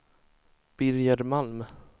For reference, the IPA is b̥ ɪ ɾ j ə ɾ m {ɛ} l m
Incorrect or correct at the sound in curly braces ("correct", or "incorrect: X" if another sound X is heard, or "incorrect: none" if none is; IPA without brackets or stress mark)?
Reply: incorrect: a